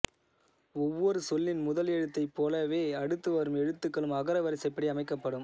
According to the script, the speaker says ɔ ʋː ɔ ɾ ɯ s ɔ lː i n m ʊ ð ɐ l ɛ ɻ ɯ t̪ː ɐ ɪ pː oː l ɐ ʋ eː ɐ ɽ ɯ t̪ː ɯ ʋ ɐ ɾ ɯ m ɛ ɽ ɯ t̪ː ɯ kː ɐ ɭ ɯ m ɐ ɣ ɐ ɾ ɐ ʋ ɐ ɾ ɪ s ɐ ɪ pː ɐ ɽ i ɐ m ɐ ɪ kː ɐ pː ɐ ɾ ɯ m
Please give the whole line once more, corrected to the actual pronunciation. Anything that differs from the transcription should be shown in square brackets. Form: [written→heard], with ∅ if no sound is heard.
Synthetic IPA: ɔ ʋː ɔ ɾ ɯ s ɔ lː [i→ɪ] n m ʊ ð ɐ l ɛ ɻ ɯ t̪ː ɐ ɪ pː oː l ɐ ʋ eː ɐ ɽ ɯ t̪ː ɯ ʋ ɐ ɾ ɯ m ɛ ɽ ɯ t̪ː ɯ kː ɐ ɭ ɯ m ɐ ɣ ɐ ɾ ɐ ʋ ɐ ɾ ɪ s ɐ ɪ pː ɐ ɽ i ɐ m ɐ ɪ kː ɐ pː ɐ [ɾ→ɽ] ɯ m